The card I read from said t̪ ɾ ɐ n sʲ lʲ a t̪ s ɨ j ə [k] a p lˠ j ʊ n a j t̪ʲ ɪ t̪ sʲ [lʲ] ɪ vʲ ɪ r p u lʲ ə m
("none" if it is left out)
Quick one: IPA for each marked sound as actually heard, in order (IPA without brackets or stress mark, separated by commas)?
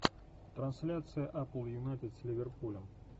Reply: ʔ, lʲ